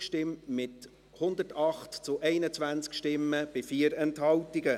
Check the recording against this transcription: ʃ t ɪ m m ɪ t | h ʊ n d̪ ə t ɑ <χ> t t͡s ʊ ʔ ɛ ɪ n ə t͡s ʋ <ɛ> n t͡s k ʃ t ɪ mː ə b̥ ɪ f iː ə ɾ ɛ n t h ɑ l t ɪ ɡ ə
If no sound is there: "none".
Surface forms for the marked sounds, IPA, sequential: χ, æ

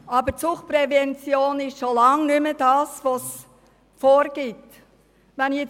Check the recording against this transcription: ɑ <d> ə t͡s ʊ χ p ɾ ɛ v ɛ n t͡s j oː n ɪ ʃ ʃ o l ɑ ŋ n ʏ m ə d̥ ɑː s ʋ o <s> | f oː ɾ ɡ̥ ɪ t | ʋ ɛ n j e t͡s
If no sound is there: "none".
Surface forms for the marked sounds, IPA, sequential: b, s

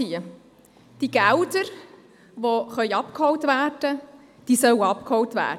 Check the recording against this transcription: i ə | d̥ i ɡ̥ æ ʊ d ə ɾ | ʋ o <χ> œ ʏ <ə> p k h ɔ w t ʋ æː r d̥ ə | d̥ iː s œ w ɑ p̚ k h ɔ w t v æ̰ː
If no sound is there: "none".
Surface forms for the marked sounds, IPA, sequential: χ, ɑ

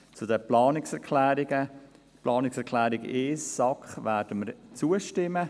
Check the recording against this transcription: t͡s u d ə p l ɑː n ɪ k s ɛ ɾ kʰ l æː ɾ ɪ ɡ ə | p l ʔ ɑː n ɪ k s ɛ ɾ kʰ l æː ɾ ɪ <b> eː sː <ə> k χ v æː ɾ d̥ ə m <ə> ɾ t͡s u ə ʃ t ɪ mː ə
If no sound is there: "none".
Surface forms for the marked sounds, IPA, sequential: ɡ, ɑ, ə

